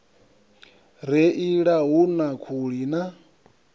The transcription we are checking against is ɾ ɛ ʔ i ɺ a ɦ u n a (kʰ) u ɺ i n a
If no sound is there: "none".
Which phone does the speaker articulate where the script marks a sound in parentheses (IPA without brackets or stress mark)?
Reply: kʰ